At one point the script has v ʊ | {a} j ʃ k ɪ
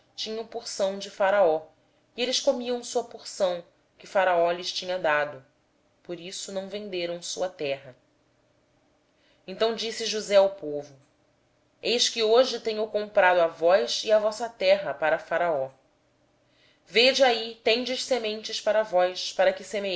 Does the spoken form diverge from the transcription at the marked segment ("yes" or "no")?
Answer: yes